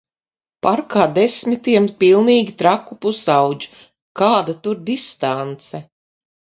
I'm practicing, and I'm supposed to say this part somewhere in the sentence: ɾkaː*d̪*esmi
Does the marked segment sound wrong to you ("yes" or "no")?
no